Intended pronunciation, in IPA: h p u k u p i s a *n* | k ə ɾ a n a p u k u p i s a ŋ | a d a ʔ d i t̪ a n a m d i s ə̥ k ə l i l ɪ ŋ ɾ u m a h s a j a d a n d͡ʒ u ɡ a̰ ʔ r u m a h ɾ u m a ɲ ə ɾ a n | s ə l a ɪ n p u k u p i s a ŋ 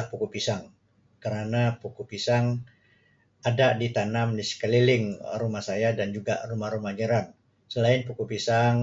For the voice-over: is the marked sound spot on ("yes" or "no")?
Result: no